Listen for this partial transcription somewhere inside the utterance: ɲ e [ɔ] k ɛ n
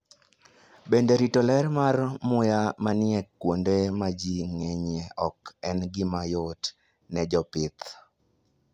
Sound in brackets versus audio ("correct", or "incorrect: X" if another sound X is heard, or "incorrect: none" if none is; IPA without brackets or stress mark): correct